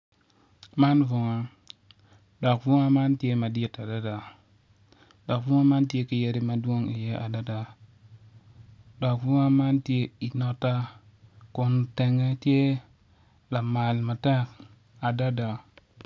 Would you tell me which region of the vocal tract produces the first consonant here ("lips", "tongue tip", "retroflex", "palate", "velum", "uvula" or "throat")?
lips